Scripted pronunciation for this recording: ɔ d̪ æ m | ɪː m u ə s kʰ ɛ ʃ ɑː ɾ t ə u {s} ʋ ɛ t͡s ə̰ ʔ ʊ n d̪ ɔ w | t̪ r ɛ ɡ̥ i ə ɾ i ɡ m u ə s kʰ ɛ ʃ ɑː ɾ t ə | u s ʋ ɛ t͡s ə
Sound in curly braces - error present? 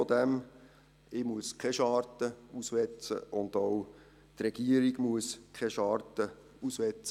no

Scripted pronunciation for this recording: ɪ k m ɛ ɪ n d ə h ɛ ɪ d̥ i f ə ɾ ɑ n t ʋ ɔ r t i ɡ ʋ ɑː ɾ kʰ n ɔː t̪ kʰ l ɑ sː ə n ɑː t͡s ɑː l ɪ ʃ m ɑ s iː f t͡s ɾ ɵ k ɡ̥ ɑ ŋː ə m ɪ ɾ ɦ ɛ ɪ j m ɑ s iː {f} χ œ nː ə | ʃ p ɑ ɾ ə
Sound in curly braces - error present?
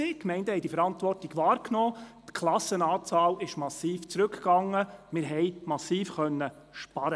no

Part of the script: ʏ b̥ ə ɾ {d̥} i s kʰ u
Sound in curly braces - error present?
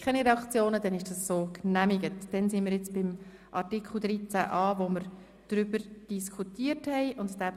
no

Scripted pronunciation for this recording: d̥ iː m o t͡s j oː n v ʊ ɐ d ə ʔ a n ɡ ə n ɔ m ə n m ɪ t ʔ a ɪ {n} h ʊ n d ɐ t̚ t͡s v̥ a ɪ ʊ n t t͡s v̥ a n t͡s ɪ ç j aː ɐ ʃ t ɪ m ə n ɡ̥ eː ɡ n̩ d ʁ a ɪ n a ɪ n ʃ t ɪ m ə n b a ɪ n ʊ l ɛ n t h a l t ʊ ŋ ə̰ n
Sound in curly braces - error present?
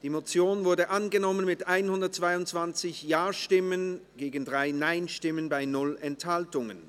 no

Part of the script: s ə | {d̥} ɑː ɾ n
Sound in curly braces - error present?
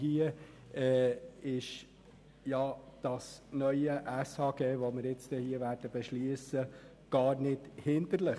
yes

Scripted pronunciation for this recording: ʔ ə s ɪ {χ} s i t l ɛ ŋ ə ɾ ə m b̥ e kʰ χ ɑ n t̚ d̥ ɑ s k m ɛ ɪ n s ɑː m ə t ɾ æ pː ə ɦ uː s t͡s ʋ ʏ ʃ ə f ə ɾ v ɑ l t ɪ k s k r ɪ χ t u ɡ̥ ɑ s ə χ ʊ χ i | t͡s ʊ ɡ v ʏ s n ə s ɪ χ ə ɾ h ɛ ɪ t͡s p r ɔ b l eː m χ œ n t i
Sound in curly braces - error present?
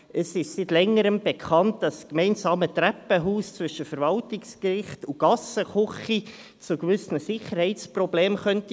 yes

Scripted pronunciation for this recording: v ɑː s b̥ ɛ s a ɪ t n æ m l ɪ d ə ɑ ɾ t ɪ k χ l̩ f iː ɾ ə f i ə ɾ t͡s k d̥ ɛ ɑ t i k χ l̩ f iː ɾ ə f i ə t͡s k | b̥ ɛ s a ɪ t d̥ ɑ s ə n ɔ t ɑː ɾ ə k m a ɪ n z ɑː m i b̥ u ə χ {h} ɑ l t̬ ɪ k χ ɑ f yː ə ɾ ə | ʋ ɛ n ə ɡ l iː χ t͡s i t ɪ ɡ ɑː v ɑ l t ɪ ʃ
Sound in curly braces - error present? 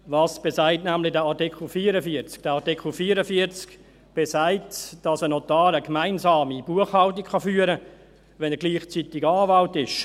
no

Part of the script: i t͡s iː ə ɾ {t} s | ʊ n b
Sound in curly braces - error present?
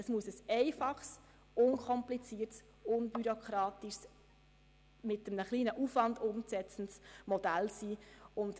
no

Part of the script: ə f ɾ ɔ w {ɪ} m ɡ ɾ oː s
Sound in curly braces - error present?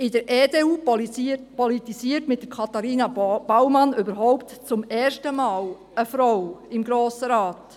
no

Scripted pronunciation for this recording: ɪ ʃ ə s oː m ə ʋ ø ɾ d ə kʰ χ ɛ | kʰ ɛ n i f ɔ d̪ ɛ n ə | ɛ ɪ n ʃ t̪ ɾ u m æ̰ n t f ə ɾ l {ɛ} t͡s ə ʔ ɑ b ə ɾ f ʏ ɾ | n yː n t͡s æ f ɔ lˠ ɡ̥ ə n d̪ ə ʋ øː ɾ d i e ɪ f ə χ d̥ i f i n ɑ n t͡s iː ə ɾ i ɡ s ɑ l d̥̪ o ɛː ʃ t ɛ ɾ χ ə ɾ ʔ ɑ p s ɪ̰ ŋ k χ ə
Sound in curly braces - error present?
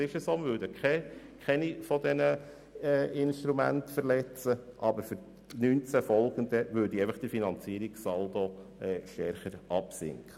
no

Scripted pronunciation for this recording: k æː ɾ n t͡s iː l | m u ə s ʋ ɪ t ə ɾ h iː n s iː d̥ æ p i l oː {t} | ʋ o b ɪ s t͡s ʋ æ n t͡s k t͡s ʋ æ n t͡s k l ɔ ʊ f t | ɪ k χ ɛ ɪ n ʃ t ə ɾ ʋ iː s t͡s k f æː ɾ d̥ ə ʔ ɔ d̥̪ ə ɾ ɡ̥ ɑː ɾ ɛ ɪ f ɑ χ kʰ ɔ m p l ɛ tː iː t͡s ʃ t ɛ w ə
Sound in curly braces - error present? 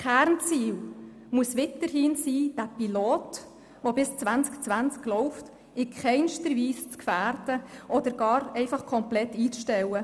no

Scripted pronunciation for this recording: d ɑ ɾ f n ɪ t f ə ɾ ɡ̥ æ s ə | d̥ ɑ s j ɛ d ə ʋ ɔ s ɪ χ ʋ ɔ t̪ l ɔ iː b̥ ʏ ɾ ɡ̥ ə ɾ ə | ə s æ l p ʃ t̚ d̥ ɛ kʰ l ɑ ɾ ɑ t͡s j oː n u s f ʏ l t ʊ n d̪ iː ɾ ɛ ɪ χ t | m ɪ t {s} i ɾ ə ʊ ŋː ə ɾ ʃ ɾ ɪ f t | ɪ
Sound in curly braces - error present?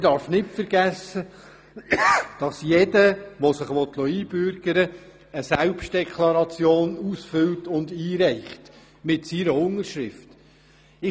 no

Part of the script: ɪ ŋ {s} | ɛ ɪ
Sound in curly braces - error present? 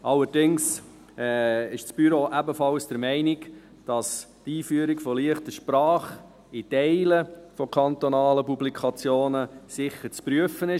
no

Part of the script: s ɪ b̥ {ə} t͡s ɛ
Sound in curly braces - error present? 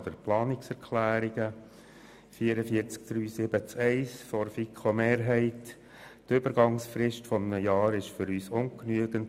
no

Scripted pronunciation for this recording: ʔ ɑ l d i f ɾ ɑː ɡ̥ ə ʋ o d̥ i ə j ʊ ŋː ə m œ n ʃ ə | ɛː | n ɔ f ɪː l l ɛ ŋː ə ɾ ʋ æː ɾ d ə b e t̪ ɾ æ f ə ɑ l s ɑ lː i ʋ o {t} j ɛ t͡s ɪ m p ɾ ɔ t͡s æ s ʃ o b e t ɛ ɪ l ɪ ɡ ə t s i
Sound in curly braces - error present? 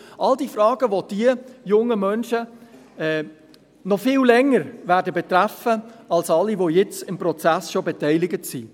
yes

